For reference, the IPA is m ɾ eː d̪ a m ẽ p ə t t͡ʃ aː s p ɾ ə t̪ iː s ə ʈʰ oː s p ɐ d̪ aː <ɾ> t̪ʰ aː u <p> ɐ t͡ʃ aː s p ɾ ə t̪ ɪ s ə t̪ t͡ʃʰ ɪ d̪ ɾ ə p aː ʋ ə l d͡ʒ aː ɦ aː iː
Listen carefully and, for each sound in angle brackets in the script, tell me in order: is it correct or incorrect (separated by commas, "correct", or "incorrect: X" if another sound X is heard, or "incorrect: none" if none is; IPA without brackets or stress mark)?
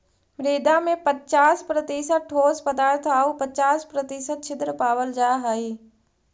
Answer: correct, correct